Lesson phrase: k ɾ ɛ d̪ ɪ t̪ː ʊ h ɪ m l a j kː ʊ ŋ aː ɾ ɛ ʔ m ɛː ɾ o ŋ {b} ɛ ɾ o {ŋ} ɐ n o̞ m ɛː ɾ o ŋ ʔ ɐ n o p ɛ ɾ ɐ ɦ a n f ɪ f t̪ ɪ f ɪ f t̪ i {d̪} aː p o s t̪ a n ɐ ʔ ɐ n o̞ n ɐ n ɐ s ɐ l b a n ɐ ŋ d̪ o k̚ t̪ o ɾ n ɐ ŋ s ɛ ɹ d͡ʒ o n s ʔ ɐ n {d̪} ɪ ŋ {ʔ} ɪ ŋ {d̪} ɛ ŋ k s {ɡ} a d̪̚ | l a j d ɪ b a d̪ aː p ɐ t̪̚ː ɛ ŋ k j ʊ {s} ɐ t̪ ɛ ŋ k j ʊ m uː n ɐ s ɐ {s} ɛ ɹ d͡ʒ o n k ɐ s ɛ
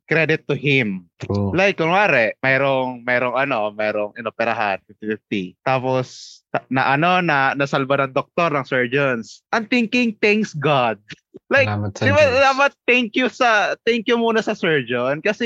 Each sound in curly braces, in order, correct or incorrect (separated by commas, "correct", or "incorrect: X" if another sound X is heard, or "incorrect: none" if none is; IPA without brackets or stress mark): incorrect: m, correct, incorrect: t̪, incorrect: t̪, incorrect: k, incorrect: t̪, correct, correct, correct